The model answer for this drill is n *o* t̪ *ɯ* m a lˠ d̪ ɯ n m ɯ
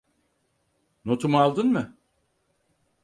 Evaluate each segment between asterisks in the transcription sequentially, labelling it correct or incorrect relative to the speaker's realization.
correct, incorrect

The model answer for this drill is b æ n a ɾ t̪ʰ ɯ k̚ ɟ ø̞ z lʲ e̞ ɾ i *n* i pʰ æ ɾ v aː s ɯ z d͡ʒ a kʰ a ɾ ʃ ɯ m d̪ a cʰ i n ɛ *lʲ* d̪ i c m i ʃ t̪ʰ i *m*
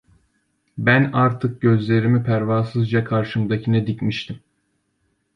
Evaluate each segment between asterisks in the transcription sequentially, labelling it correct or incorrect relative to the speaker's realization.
incorrect, incorrect, correct

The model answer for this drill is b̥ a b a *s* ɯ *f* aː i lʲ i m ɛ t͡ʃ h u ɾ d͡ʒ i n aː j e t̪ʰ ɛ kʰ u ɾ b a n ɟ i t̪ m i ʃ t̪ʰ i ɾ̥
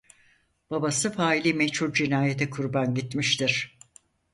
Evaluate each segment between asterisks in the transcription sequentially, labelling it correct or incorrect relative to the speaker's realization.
correct, correct

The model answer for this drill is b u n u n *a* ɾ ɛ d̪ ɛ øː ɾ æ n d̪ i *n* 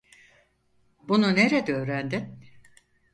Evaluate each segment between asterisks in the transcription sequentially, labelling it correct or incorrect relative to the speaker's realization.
incorrect, correct

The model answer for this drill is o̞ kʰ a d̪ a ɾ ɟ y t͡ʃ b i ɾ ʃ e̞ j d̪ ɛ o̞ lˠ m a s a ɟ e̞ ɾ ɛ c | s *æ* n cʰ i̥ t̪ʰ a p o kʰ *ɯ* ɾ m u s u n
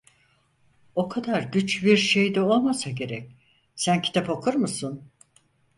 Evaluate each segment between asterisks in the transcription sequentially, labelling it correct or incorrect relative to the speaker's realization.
correct, incorrect

